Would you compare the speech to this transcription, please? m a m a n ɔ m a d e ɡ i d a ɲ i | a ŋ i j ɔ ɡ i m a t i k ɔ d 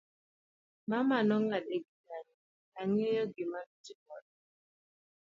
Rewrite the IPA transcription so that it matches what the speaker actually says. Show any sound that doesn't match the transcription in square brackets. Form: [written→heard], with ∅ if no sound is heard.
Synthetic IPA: m a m a n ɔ [m→ŋ] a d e ɡ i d a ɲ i | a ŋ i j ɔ ɡ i m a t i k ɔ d